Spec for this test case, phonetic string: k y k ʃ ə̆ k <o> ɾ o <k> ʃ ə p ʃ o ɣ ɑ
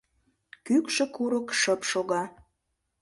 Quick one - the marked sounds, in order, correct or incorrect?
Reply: incorrect: u, correct

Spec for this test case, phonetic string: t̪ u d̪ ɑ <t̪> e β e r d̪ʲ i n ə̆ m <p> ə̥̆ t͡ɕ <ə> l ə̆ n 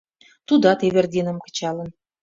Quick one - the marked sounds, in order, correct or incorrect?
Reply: correct, incorrect: k, incorrect: ɑ

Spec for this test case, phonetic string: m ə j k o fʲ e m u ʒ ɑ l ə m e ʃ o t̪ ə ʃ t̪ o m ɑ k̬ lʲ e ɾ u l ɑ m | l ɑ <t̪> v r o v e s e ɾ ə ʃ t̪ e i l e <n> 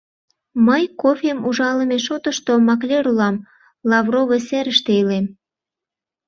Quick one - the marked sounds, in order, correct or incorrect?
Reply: incorrect: none, incorrect: m

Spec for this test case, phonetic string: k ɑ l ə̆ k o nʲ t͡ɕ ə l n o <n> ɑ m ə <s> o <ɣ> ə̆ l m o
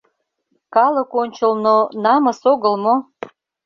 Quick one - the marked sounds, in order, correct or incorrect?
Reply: correct, correct, correct

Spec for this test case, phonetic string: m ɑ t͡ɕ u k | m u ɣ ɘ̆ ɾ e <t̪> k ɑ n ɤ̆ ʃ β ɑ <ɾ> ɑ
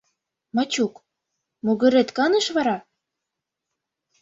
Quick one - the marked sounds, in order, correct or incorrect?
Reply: correct, correct

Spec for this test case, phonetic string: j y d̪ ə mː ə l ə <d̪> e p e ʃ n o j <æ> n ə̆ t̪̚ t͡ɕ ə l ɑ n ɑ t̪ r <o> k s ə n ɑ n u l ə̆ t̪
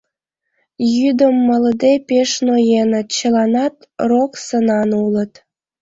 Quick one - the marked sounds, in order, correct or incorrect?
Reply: correct, incorrect: e, correct

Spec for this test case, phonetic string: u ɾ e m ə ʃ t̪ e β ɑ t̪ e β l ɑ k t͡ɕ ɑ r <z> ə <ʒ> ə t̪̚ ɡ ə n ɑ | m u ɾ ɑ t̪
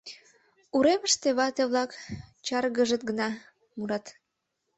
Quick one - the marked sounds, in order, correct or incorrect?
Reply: incorrect: ɣ, correct

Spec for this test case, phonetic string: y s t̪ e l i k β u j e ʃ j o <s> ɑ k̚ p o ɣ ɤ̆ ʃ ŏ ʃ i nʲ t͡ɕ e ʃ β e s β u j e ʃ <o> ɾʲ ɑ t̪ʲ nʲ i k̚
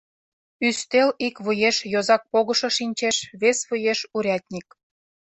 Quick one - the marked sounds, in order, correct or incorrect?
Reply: incorrect: z, incorrect: u

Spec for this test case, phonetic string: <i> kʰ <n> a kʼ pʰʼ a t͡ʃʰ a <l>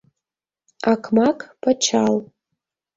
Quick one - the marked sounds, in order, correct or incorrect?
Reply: incorrect: a, incorrect: m, correct

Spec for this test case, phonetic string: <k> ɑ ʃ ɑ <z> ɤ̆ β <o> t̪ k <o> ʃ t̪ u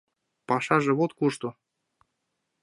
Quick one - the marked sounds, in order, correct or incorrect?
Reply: incorrect: p, incorrect: ʒ, correct, incorrect: u

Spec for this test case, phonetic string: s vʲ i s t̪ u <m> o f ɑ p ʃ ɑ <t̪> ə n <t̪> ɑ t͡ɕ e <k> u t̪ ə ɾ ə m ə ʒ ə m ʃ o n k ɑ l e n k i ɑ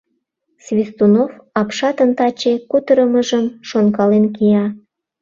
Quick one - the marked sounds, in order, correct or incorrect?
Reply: incorrect: n, correct, correct, correct

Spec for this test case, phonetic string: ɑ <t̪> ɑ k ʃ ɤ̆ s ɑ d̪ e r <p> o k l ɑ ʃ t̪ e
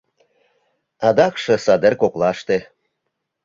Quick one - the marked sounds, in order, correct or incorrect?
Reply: incorrect: d̪, incorrect: k

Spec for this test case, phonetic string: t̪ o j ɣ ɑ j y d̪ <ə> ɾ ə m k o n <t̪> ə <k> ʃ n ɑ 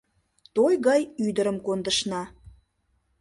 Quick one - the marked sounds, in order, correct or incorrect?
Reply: correct, incorrect: d̪, incorrect: none

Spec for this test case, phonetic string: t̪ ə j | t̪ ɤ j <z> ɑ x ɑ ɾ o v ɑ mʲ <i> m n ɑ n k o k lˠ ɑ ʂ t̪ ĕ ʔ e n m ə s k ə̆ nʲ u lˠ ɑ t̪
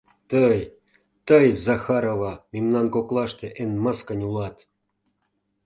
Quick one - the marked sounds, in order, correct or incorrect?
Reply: correct, correct

